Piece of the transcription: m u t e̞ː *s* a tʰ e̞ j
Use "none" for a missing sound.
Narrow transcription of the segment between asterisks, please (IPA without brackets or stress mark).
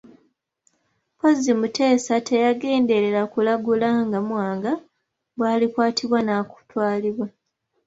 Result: s